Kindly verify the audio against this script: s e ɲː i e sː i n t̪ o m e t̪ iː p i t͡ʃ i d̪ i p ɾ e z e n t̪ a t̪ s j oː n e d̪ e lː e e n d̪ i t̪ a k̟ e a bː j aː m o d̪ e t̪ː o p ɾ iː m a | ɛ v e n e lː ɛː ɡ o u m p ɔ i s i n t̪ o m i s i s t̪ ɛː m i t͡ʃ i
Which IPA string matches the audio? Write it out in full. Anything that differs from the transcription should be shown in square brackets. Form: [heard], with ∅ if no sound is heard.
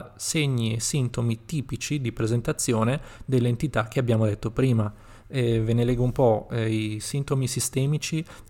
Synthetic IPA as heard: s e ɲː i e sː i n t̪ o m [i] t̪ iː p i t͡ʃ i d̪ i p ɾ e z e n t̪ a t̪ [sː] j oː n e d̪ e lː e e n [t̪] i t̪ a k̟ e a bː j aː m o d̪ e t̪ː o p ɾ iː m a | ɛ v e n e [l] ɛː ɡ o u m p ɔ i s i n t̪ o m i s i s t̪ ɛː m i t͡ʃ i